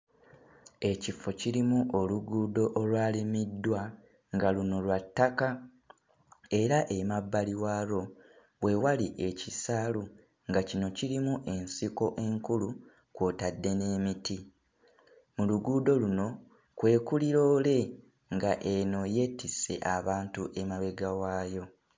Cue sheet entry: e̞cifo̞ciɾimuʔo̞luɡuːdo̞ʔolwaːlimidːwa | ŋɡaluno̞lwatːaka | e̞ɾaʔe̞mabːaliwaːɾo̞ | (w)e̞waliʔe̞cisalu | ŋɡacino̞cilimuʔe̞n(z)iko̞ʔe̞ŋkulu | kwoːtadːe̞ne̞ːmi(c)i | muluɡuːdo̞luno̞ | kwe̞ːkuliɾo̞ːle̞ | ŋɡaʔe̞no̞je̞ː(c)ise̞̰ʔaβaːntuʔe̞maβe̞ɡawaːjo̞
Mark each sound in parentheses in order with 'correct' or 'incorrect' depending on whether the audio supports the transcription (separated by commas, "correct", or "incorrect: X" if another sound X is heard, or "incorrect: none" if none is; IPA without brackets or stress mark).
correct, incorrect: s, incorrect: t, incorrect: t